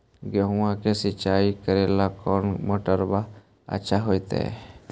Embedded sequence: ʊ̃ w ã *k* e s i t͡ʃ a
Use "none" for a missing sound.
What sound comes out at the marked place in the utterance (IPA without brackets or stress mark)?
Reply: k